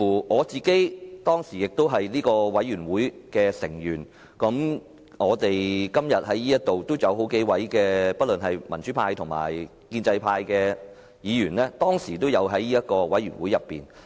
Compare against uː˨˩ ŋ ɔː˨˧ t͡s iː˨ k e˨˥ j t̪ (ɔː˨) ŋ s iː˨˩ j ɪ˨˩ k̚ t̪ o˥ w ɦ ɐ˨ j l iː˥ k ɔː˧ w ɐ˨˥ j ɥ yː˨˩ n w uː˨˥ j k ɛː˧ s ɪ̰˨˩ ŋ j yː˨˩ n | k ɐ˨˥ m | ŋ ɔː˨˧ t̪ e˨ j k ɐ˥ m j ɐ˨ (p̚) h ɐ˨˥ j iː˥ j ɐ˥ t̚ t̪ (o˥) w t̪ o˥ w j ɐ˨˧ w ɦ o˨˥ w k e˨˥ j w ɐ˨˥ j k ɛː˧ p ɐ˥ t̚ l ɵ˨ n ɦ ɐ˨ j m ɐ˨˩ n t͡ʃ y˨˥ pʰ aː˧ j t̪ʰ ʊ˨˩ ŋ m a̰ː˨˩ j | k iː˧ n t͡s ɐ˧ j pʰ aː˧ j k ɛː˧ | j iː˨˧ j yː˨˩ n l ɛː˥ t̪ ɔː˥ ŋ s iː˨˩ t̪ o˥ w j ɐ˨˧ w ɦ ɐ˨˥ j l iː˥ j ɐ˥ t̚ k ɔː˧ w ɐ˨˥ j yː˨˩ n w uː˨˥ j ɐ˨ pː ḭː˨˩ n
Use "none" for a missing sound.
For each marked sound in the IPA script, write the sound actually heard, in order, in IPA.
ɔː˥, t̚, o˨

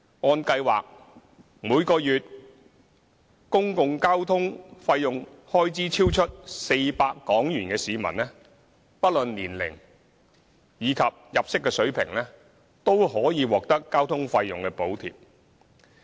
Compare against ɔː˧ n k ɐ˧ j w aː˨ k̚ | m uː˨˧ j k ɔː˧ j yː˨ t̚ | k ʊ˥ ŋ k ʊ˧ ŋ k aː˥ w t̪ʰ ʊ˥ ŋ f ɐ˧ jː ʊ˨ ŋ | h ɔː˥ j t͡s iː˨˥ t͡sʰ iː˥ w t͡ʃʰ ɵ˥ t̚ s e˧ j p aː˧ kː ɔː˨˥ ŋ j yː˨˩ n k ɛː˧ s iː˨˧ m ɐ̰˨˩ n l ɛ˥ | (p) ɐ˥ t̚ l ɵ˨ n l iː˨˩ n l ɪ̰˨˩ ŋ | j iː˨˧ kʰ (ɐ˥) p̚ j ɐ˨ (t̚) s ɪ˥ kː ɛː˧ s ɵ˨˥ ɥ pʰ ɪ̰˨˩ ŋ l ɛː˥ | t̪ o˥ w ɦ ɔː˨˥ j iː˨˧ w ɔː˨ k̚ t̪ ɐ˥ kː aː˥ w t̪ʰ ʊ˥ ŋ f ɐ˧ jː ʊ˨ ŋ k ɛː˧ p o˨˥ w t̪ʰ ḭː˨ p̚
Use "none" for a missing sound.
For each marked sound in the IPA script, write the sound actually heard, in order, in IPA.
p, ɐ˨, p̚

